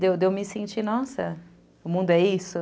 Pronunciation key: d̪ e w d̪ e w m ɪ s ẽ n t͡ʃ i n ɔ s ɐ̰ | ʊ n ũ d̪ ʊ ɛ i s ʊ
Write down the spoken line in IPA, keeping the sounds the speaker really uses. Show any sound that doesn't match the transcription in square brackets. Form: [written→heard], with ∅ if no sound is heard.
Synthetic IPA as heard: d̪ e w d̪ e w m ɪ s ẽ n t͡ʃ i n ɔ s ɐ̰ | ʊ [n→m] ũ d̪ ʊ ɛ i s ʊ

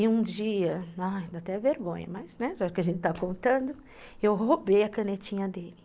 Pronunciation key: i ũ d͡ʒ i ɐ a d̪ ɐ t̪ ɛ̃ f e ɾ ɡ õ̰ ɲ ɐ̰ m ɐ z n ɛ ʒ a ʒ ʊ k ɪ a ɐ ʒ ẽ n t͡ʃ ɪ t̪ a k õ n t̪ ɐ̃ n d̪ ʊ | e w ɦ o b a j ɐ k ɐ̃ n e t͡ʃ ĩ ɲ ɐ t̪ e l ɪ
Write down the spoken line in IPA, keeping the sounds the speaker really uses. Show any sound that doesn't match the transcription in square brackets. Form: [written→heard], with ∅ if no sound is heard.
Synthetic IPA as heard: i ũ d͡ʒ i ɐ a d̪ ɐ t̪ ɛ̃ [f→v] e ɾ ɡ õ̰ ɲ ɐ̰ m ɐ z n ɛ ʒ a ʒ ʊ k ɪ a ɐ ʒ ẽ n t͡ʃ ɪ t̪ a k õ n t̪ ɐ̃ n d̪ ʊ | e w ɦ o b [a→e] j ɐ k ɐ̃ n e t͡ʃ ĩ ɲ ɐ [t̪→d̪] e l ɪ

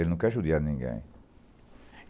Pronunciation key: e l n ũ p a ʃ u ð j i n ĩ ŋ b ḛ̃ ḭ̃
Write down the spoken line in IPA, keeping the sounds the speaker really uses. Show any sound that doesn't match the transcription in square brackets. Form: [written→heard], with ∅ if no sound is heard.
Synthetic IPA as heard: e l n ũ [p→k] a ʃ u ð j [i→a] n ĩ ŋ [b→ɡ] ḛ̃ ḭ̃

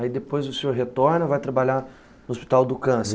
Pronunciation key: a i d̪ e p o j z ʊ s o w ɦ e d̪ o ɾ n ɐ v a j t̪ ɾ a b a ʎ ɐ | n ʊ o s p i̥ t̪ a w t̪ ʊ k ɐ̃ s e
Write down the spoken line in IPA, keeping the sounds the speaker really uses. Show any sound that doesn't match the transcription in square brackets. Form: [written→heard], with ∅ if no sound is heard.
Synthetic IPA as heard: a i d̪ e p o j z ʊ s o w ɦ e [d̪→t̪] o ɾ n ɐ v a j t̪ ɾ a b a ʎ [ɐ→a] | n ʊ o s p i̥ t̪ a w [t̪→d̪] ʊ k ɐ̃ s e

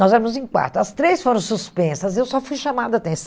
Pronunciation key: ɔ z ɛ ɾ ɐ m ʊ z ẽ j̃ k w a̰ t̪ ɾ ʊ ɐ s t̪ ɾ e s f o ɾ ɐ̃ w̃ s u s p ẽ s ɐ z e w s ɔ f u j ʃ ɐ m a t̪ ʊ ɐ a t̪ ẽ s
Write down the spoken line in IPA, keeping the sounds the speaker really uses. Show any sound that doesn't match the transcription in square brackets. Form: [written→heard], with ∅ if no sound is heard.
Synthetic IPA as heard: ɔ z ɛ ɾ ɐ m ʊ z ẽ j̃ k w a̰ t̪ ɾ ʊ ɐ s t̪ ɾ e s f o ɾ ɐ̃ w̃ s u s p ẽ s ɐ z e w s ɔ f u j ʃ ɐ m a [t̪→d̪] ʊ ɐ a t̪ ẽ s

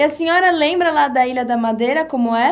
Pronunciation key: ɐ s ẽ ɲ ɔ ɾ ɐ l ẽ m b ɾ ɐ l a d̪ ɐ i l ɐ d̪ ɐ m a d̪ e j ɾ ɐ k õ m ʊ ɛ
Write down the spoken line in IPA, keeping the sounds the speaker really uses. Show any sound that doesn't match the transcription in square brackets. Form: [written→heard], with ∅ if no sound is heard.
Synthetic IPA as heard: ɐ s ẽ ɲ ɔ ɾ ɐ l ẽ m b ɾ ɐ l a d̪ ɐ i l ɐ d̪ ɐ m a d̪ e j ɾ ɐ k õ m ʊ ɛ

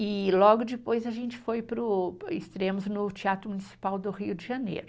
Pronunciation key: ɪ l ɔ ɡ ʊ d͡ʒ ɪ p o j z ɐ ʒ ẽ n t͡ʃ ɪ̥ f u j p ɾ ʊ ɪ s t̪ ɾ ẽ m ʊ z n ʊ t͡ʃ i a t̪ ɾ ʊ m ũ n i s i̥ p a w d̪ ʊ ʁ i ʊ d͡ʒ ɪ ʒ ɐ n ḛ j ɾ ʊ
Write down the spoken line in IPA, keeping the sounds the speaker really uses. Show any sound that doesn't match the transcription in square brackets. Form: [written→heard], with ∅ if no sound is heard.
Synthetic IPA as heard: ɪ l ɔ ɡ ʊ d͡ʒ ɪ p o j z ɐ ʒ ẽ n t͡ʃ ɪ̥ f [u→o] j p ɾ ʊ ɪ s t̪ ɾ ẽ m ʊ z n ʊ t͡ʃ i a t̪ ɾ ʊ m [ũ→u] n i s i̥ p a w d̪ ʊ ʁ i ʊ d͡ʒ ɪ ʒ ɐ n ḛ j ɾ ʊ

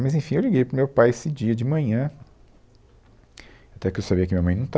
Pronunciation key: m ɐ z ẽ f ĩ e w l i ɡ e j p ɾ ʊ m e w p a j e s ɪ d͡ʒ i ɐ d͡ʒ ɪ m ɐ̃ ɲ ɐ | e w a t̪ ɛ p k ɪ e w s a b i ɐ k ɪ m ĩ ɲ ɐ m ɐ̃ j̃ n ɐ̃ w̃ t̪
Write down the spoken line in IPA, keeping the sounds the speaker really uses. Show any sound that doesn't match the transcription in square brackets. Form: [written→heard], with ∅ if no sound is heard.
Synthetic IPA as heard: m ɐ z ẽ f ĩ e w l i ɡ e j p ɾ ʊ m e w p a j e s ɪ d͡ʒ i ɐ d͡ʒ ɪ m ɐ̃ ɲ [ɐ→ɐ̃] | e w a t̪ ɛ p k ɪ e w s a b i ɐ k ɪ m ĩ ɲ ɐ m ɐ̃ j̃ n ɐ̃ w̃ t̪

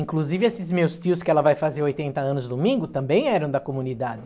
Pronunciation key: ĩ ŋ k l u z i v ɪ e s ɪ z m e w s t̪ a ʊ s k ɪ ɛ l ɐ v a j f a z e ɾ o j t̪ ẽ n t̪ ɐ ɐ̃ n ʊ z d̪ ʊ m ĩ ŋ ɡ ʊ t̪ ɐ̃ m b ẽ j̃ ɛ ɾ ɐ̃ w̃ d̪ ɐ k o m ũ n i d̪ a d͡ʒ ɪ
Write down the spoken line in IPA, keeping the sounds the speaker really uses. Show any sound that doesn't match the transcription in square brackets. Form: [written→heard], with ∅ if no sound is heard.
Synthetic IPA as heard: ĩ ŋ k l u z i v ɪ e s ɪ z m e w s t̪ [a→i] ʊ s k ɪ ɛ l ɐ v a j f a z e ɾ o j t̪ ẽ n t̪ ɐ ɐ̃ n ʊ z d̪ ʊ m ĩ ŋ ɡ ʊ t̪ ɐ̃ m b ẽ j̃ ɛ ɾ ɐ̃ w̃ d̪ ɐ k o m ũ n i d̪ a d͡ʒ ɪ

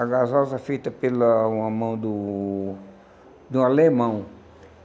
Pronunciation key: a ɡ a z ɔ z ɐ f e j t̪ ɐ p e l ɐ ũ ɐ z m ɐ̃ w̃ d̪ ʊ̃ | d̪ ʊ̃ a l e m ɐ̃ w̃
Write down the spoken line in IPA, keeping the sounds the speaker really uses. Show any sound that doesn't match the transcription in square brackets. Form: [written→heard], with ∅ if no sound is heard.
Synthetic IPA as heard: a ɡ a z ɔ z ɐ f e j t̪ ɐ p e l ɐ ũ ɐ [z→∅] m ɐ̃ w̃ d̪ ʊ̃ | d̪ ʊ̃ a l e m ɐ̃ w̃

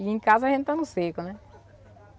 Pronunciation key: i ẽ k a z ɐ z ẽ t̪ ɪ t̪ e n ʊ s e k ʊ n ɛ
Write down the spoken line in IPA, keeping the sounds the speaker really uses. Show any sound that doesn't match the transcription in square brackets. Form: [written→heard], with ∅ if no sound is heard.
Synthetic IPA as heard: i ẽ k a z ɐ [z→ʒ] ẽ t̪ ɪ t̪ [e→a] n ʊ s e k ʊ n ɛ

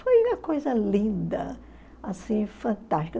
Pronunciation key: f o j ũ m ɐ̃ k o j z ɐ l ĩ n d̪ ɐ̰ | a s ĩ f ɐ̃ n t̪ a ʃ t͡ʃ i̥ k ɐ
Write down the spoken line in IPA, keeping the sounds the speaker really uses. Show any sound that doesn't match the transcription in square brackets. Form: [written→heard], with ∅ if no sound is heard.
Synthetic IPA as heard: f o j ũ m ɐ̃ k o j z ɐ l ĩ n d̪ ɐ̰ | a s ĩ f ɐ̃ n t̪ a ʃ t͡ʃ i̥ k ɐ

